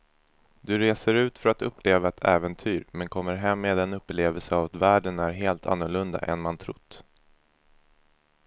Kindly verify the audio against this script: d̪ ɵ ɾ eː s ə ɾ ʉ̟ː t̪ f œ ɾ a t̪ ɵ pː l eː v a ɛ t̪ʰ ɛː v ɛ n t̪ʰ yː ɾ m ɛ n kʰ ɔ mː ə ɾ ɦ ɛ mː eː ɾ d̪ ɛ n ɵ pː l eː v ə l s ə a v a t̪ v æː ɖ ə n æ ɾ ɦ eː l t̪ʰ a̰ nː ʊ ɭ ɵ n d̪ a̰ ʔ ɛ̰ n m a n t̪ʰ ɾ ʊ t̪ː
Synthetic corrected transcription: d̪ ɵ ɾ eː s ə ɾ ʉ̟ː t̪ f œ ɾ a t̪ ɵ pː l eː v a ɛ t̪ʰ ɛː v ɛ n t̪ʰ yː ɾ m ɛ n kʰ ɔ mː ə ɾ ɦ ɛ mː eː d̪ ɛ n ɵ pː l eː v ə l s ə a v a t̪ v æː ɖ ə n æ ɾ ɦ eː l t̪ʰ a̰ nː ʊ ɭ ɵ n d̪ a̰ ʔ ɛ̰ n m a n t̪ʰ ɾ ʊ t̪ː